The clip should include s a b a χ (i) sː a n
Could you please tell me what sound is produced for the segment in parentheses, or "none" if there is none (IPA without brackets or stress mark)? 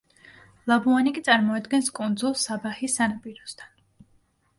i